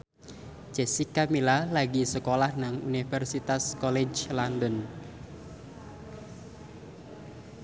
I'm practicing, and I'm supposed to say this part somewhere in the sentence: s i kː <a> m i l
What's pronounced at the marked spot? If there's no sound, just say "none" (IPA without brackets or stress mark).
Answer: a